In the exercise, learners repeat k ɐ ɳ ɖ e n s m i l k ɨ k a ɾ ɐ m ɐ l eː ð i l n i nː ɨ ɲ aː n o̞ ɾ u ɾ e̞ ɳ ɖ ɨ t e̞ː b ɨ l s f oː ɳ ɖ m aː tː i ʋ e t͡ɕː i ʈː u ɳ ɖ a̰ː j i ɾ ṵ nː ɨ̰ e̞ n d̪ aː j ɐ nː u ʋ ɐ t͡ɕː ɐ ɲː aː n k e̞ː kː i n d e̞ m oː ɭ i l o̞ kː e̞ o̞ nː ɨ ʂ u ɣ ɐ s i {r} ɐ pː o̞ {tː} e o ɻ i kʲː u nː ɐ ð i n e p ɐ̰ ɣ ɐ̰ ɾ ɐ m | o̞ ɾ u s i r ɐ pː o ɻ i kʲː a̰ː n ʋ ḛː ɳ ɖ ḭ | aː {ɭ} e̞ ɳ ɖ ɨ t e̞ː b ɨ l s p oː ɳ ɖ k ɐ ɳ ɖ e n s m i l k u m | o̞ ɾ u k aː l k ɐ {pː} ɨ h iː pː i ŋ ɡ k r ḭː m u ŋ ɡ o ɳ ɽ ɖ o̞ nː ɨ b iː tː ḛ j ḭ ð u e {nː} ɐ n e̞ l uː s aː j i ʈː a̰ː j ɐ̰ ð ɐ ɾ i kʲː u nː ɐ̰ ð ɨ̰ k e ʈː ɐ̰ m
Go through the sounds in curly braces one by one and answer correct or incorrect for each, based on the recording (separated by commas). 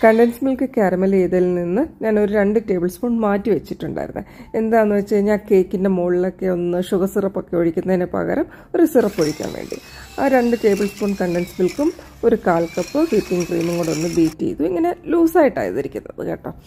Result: correct, incorrect, incorrect, correct, incorrect